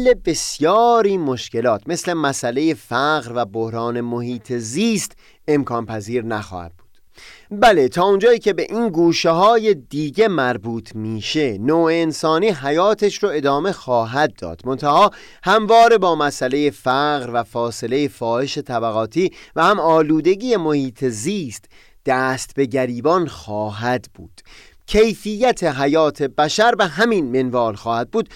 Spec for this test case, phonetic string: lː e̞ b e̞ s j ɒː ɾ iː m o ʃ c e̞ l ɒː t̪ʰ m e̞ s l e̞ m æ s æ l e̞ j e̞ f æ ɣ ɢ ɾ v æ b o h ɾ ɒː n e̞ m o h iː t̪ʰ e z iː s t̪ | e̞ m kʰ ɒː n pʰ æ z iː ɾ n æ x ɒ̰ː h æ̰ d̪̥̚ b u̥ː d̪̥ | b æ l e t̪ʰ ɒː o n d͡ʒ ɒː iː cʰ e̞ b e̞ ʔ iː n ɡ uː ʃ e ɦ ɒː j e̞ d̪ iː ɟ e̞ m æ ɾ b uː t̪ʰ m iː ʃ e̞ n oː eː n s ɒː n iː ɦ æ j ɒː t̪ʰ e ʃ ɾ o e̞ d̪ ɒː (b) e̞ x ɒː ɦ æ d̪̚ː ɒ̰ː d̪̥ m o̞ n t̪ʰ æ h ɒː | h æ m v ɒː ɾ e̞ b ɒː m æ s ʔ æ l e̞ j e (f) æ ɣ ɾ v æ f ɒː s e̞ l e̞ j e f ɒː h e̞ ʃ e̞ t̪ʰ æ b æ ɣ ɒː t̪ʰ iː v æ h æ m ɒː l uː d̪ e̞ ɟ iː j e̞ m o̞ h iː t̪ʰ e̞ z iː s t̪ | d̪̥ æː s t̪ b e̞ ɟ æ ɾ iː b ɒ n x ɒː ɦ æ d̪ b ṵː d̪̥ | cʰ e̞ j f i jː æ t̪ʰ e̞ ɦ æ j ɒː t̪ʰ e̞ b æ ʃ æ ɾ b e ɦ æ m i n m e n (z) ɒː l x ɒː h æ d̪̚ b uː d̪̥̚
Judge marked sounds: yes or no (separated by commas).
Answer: no, yes, no